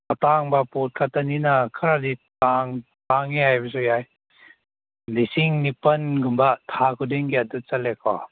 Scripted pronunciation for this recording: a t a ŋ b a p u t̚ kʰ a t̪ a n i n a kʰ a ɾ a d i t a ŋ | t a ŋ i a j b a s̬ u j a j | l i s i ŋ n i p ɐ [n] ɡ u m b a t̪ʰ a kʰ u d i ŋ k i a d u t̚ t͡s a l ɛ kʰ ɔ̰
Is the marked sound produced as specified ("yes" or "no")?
yes